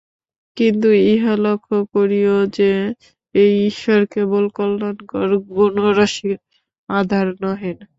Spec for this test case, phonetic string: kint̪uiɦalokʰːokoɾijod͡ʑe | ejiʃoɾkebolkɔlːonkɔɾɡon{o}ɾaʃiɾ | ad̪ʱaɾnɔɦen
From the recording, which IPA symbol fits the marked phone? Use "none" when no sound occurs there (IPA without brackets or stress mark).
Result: o